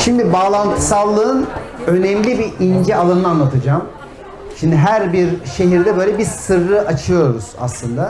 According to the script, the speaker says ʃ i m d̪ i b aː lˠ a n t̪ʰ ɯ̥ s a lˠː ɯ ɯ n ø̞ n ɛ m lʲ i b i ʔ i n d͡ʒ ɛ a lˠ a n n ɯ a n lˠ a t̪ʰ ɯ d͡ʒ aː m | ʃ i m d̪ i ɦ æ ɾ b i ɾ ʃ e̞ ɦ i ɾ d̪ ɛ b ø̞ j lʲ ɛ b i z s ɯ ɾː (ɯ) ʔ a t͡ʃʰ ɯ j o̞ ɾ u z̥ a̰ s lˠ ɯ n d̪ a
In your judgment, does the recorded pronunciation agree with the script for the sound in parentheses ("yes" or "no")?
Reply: yes